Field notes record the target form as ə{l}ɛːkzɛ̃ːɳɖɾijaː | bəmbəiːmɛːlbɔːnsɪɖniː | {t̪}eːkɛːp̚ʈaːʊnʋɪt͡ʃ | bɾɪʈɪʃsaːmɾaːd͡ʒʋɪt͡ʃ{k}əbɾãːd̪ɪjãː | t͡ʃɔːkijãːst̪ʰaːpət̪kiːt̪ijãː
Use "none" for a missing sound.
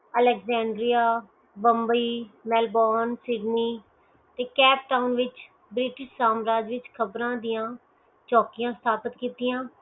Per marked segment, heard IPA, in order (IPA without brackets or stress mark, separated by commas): l, t̪, kʰ